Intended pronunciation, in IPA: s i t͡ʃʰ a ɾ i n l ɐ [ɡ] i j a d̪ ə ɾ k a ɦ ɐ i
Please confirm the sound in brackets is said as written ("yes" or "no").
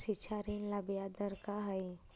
no